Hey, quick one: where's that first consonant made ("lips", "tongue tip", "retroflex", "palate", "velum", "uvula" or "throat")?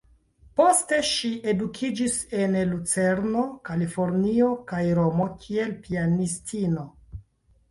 lips